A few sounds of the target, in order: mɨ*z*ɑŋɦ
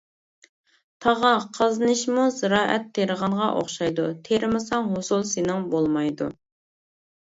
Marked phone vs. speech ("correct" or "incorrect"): incorrect